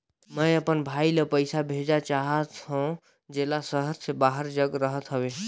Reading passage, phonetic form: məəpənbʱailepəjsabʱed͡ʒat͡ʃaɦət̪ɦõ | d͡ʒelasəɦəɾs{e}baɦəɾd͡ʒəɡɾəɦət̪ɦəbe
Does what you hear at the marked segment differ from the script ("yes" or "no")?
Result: no